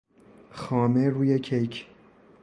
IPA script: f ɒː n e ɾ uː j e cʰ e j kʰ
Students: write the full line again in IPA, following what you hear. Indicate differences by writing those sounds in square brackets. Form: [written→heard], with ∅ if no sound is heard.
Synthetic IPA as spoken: [f→x] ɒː [n→m] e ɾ uː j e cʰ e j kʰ

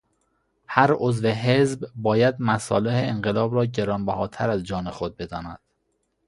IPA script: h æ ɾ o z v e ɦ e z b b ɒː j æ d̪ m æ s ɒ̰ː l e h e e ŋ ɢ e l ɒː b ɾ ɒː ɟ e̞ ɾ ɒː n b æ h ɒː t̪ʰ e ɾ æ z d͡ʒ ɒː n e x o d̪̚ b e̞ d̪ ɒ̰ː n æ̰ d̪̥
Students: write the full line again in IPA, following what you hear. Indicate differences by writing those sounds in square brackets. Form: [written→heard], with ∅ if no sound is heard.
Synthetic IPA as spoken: h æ ɾ o z v e ɦ e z b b ɒː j æ d̪ m æ s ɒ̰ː l e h e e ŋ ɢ e l ɒː b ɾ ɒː ɟ e̞ ɾ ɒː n b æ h ɒː t̪ʰ [e→æ] ɾ æ z d͡ʒ ɒː n e x o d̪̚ b e̞ d̪ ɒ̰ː n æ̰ d̪̥

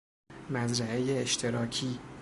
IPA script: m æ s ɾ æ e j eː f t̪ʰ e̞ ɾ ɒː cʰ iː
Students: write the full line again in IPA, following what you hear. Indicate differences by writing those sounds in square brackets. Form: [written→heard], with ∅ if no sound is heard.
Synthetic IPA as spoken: m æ [s→z] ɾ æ e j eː [f→ʃ] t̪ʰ e̞ ɾ ɒː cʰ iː

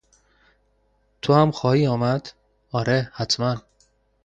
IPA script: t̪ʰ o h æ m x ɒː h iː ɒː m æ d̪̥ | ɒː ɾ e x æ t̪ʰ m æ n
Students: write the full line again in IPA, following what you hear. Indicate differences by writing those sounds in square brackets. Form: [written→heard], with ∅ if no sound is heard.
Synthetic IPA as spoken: t̪ʰ o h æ m x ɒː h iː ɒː m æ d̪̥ | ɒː ɾ e [x→h] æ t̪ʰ m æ n

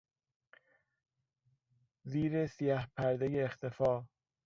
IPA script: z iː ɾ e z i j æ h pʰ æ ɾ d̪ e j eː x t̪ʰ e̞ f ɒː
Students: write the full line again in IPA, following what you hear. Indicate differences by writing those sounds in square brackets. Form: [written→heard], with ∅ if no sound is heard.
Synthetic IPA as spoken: z iː ɾ e [z→s] i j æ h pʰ æ ɾ d̪ e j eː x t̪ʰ e̞ f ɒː

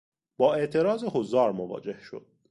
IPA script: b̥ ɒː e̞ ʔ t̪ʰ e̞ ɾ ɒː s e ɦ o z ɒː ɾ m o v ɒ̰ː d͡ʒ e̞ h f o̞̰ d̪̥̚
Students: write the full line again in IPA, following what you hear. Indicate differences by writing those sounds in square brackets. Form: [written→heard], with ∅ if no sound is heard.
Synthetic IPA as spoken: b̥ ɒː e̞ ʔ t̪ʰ e̞ ɾ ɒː [s→z] e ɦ o z ɒː ɾ m o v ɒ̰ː d͡ʒ e̞ h [f→ʃ] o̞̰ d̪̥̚

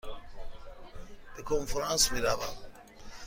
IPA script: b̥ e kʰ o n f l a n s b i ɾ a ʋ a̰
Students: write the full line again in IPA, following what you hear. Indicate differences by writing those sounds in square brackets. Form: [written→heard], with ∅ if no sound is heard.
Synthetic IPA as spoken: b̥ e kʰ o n f [l→ɾ] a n s [b→m] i ɾ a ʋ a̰

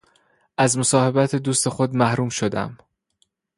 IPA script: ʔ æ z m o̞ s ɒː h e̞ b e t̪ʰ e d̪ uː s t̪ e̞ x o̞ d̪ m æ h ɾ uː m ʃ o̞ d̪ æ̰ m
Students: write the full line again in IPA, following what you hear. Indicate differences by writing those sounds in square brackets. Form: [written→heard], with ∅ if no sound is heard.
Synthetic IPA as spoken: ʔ æ z m o̞ s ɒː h e̞ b [e→æ] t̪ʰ e d̪ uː s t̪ e̞ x o̞ d̪ m æ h ɾ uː m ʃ o̞ d̪ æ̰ m

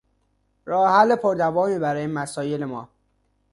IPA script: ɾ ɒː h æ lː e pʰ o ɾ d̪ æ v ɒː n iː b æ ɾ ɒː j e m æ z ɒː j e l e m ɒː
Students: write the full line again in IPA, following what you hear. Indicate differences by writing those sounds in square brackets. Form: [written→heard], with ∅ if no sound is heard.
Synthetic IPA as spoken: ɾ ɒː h æ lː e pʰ o ɾ d̪ æ v ɒː [n→m] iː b æ ɾ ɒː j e m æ [z→s] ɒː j e l e m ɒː

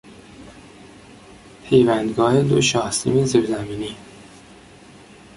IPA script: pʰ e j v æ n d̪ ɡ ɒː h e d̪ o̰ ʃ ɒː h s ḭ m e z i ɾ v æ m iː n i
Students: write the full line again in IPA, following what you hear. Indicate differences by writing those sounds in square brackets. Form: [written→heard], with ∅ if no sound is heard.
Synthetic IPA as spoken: pʰ e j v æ n d̪ ɡ ɒː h e d̪ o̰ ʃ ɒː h s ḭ m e z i ɾ [v→z] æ m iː n i

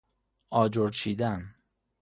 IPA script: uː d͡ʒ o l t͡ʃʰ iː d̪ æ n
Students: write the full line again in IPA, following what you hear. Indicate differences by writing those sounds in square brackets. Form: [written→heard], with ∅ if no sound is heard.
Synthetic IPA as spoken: [uː→ɒː] d͡ʒ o [l→ɾ] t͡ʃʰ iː d̪ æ n

